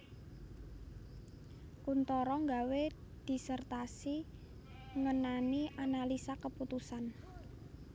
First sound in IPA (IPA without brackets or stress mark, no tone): k